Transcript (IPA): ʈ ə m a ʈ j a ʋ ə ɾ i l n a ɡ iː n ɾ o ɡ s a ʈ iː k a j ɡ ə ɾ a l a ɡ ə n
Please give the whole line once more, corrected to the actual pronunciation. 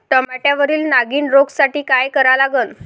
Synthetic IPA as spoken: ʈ ə m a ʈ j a ʋ ə ɾ iː l n a ɡ iː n ɾ o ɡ s a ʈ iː k a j k ə ɾ a l a ɡ ə n